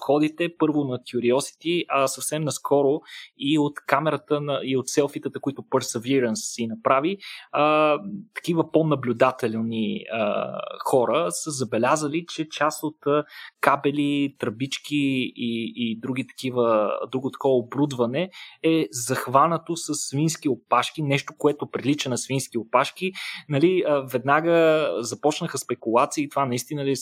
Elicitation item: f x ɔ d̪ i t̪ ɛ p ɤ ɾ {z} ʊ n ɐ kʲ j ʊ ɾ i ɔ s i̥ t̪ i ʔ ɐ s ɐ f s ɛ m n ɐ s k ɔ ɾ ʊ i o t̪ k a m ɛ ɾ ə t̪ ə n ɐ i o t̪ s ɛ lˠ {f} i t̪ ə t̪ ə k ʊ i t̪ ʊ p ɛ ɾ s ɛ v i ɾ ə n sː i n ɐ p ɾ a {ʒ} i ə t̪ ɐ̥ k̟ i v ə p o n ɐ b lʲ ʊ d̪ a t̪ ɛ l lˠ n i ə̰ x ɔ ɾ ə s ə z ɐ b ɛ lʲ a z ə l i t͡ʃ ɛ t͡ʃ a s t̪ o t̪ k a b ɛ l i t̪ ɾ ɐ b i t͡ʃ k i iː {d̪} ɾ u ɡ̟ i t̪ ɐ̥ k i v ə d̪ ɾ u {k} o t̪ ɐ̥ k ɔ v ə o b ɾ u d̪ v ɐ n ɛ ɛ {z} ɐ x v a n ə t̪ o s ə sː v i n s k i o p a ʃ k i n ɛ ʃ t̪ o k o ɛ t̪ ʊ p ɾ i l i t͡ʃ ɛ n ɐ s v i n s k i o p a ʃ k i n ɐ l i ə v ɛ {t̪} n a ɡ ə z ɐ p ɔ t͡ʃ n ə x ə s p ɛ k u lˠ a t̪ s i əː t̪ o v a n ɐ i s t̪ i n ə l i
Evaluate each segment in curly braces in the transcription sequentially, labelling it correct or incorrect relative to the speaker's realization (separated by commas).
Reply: incorrect, correct, incorrect, correct, incorrect, correct, incorrect